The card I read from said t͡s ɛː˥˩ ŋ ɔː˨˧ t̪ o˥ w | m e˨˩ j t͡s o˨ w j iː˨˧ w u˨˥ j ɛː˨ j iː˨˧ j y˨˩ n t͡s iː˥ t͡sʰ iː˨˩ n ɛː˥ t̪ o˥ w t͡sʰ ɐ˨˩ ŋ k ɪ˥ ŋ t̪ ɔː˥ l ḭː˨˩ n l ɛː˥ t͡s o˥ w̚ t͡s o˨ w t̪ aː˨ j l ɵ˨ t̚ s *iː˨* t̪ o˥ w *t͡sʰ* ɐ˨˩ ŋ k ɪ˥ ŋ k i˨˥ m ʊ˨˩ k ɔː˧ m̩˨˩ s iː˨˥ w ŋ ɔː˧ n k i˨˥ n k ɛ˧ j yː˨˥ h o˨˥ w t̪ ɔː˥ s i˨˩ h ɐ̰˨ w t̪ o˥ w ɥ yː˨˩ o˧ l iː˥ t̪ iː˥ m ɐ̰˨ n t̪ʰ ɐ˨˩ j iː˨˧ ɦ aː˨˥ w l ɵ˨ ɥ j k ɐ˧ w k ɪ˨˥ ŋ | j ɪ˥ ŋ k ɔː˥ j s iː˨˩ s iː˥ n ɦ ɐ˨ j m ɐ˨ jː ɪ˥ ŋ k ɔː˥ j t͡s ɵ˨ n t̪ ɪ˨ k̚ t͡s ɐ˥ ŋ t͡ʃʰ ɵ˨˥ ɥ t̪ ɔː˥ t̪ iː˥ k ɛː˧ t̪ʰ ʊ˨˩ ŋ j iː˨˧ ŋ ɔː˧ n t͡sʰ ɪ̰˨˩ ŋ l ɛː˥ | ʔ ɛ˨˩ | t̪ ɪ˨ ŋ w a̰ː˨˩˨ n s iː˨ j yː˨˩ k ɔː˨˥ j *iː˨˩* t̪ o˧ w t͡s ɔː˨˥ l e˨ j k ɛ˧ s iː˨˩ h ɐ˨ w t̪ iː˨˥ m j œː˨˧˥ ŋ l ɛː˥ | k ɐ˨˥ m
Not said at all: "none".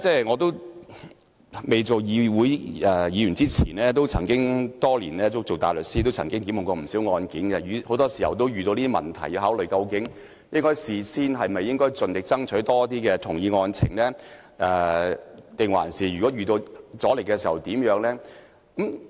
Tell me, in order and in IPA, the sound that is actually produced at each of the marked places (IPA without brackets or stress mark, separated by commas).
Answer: iː˥, t͡sʰ, yː˨˩